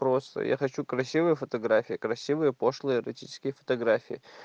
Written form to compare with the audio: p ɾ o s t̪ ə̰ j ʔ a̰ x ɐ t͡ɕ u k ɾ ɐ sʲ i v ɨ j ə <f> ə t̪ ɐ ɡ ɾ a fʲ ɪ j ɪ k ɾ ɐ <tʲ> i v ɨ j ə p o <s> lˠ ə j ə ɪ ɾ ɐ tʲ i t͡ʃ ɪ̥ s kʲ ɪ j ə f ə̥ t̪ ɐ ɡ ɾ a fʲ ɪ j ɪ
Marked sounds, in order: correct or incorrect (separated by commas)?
correct, incorrect, incorrect